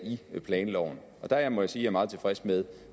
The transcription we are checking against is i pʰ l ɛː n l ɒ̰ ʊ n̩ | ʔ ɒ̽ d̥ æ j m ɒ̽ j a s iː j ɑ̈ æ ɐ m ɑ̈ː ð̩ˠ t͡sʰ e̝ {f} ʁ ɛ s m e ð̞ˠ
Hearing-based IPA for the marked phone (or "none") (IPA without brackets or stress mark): f